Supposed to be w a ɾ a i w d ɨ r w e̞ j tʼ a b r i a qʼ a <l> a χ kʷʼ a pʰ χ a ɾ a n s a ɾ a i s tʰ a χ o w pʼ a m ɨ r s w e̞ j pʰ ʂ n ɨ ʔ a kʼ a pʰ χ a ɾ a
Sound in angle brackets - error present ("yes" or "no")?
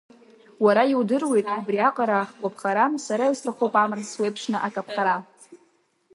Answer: yes